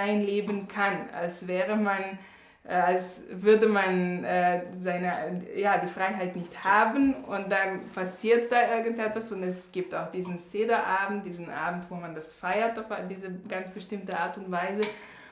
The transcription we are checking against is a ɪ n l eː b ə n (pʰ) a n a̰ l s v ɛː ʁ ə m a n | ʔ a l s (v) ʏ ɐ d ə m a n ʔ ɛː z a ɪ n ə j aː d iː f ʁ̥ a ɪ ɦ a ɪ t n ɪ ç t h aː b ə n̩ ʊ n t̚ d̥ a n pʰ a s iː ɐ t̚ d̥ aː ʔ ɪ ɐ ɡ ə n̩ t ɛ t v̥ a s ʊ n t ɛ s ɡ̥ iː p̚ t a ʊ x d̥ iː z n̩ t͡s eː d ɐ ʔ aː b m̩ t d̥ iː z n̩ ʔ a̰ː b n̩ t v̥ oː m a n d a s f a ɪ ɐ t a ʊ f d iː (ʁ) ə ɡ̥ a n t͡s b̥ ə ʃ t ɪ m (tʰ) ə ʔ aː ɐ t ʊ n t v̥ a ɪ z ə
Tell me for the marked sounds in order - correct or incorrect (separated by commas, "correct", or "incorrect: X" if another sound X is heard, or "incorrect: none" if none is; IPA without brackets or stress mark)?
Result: incorrect: kʰ, correct, incorrect: z, incorrect: t